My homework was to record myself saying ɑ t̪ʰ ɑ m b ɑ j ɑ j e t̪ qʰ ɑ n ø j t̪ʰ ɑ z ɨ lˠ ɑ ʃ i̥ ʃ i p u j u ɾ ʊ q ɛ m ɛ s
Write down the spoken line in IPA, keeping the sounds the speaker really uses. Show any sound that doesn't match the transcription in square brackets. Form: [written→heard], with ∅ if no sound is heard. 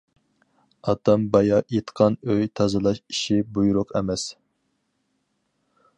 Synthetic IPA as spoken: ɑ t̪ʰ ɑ m b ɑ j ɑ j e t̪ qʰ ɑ n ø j t̪ʰ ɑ z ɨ lˠ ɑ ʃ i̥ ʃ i [p→b] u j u ɾ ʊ q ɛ m ɛ s

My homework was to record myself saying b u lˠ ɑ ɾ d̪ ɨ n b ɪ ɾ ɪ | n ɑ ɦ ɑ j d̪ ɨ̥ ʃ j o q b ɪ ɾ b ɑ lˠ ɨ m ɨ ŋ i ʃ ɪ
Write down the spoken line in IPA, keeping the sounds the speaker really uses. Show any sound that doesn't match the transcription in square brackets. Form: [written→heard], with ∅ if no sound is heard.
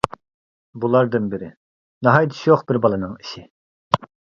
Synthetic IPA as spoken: b u lˠ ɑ ɾ d̪ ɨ n b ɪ ɾ ɪ | n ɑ ɦ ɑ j d̪ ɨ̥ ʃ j o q b ɪ ɾ b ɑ lˠ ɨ [m→n] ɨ ŋ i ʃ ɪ

